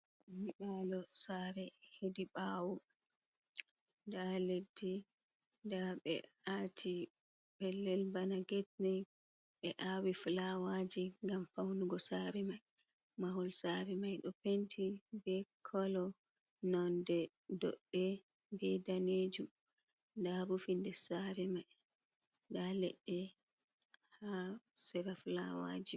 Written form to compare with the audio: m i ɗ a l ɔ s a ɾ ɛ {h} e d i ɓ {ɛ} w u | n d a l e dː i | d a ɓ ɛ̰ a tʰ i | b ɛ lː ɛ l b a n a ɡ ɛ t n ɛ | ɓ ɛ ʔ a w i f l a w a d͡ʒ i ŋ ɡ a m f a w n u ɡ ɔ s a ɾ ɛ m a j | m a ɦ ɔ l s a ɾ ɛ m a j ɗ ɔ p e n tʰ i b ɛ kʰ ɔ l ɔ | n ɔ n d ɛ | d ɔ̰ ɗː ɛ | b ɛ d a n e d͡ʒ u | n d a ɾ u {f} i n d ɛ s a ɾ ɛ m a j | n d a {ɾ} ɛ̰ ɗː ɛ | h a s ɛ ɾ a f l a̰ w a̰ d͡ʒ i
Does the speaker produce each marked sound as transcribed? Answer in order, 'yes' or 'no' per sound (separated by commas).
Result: yes, no, yes, no